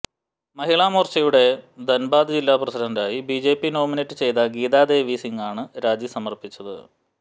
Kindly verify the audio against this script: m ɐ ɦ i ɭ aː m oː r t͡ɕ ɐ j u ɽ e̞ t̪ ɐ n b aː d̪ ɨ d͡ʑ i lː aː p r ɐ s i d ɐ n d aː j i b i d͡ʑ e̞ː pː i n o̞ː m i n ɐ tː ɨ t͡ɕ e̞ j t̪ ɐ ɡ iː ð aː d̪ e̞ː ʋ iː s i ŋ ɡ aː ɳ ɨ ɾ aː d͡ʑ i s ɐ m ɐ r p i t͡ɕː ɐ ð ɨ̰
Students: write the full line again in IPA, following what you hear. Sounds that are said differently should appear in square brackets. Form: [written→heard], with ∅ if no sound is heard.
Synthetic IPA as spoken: m ɐ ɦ i ɭ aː m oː r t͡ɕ ɐ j u ɽ e̞ [t̪→d̪] ɐ n b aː d̪ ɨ d͡ʑ i lː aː p r ɐ s i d ɐ n d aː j i b i d͡ʑ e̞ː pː i n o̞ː m i n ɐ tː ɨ t͡ɕ e̞ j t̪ ɐ ɡ iː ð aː d̪ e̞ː ʋ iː s i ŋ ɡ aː ɳ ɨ ɾ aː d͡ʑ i s ɐ m ɐ r p i t͡ɕː ɐ ð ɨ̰